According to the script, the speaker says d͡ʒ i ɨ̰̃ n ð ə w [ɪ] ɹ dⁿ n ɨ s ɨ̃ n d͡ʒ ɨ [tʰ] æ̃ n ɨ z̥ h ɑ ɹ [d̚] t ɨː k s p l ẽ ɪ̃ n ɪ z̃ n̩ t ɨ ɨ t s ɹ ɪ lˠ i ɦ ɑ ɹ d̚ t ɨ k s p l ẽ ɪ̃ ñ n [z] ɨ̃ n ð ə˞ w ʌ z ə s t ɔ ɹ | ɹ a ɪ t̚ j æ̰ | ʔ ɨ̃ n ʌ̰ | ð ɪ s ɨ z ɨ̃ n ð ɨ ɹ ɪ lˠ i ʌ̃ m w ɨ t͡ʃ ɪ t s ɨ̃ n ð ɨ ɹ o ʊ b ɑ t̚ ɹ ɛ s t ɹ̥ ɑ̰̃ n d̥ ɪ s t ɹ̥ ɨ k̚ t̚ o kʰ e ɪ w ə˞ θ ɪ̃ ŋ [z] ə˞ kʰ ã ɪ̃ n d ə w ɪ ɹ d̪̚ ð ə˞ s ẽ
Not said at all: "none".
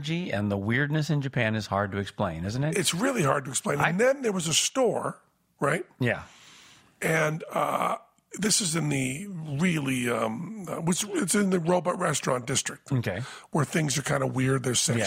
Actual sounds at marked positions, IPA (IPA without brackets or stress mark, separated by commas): ɪ, pʰ, d̚, ð, z